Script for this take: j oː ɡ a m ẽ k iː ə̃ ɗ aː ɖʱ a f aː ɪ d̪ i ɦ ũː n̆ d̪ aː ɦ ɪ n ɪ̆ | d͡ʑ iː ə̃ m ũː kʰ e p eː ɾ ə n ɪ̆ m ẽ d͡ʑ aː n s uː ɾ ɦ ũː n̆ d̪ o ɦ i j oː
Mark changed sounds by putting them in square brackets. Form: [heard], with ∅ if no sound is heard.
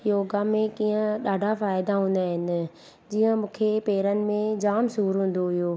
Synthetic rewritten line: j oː ɡ a m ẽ k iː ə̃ ɗ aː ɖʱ a f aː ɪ d̪ [a] ɦ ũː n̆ d̪ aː ɦ ɪ n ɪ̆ | d͡ʑ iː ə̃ m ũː kʰ e p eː ɾ ə n ɪ̆ m ẽ d͡ʑ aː [m] s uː ɾ ɦ ũː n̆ d̪ o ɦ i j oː